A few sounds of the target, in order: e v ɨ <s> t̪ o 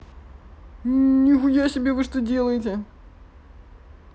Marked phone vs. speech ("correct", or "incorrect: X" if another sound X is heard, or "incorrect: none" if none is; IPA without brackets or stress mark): incorrect: ʂ